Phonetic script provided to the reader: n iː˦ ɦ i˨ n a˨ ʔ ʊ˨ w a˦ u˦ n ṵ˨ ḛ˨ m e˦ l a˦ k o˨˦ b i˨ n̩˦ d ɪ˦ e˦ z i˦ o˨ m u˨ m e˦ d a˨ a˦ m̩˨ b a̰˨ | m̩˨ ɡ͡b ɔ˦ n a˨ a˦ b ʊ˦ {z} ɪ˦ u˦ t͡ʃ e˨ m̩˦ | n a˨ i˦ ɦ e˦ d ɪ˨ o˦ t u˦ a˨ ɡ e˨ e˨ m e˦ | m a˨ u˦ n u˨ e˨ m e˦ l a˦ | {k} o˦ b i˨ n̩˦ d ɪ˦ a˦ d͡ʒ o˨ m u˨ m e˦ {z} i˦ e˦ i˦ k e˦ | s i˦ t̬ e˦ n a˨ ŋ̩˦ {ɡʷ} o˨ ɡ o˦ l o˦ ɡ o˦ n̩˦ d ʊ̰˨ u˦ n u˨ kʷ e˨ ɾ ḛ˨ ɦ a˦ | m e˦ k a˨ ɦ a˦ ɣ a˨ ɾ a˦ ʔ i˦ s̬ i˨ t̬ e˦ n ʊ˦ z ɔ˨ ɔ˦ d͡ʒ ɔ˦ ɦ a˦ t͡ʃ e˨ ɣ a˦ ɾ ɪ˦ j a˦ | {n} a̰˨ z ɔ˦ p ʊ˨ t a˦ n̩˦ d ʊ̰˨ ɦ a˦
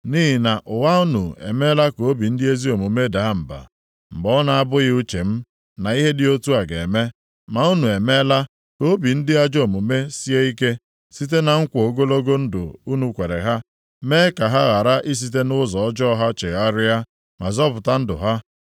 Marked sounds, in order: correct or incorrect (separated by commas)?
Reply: incorrect, correct, incorrect, incorrect, incorrect